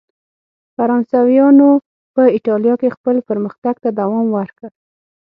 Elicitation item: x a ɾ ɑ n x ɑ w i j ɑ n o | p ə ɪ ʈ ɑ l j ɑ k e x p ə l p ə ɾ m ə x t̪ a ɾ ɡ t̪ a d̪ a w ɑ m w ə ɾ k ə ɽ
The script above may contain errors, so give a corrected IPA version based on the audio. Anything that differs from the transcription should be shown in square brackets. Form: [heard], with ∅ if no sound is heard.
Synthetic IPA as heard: [f] a ɾ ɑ n [s] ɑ w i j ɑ n o | p ə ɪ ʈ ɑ l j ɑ k e x p ə l p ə ɾ m ə x t̪ a [∅] ɡ t̪ a d̪ a w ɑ m w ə ɾ k ə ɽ

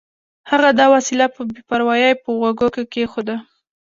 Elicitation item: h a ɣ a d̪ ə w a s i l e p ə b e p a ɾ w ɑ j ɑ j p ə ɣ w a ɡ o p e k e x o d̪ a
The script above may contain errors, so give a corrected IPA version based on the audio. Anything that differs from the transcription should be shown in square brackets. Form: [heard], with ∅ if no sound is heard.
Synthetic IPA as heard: h a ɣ a d̪ [ɑ] w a s i l [a] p ə b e p a ɾ w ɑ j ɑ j p ə ɣ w a ɡ o [k] e k e x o d̪ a

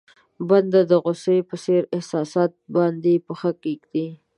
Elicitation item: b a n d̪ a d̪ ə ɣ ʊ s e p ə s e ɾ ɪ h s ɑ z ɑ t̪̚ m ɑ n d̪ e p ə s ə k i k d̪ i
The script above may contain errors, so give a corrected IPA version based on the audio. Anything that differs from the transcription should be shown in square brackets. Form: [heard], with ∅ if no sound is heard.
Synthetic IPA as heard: b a n d̪ a d̪ ə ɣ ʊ s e p ə s e ɾ ɪ h s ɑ [s] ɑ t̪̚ [b] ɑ n d̪ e p ə [x] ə k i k d̪ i

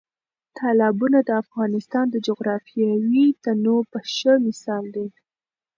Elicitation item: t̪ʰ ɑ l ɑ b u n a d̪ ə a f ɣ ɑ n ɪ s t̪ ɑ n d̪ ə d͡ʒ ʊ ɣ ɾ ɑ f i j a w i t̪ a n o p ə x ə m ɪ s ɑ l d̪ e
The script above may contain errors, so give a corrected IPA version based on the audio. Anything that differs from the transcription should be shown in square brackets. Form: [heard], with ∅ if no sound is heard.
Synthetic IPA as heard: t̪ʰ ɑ l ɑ b u n a d̪ ə a f ɣ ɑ n ɪ s t̪ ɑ n d̪ ə d͡ʒ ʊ ɣ ɾ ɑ f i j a w i t̪ a n o p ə [ʃ] ə m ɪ s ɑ l d̪ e

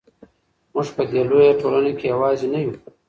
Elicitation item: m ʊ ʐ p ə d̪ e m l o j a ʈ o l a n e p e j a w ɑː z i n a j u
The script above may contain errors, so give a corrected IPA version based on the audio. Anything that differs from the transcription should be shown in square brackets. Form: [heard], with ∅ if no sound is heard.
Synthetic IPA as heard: m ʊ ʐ p ə d̪ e [∅] l o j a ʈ o l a n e [k] e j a w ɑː z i n a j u

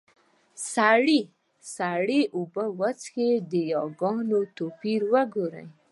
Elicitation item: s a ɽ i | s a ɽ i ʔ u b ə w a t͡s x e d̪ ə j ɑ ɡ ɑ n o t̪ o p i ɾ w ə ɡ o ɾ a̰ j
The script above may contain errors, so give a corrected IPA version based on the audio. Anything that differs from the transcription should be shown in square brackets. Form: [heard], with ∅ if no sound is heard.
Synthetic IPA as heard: s a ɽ i | s a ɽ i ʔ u b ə w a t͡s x e d̪ ə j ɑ ɡ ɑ n o t̪ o p i ɾ w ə ɡ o ɾ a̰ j

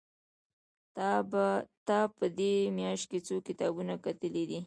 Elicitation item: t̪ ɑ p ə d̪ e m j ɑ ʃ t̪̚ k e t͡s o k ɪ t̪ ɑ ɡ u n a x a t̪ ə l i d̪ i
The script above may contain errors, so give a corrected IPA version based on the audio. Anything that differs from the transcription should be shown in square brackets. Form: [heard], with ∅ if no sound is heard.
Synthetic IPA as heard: t̪ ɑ p ə d̪ e m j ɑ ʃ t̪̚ k e t͡s o k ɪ t̪ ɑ [b] u n a [k] a t̪ ə l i d̪ i

